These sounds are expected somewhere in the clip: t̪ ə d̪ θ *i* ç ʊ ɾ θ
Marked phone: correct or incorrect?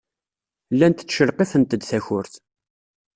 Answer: incorrect